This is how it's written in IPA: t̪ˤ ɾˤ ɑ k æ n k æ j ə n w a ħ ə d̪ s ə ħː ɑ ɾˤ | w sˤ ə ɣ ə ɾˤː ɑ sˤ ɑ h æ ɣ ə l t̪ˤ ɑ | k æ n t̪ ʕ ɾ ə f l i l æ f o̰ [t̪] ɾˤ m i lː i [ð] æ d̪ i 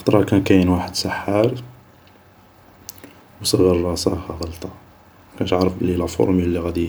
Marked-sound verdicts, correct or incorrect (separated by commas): incorrect, incorrect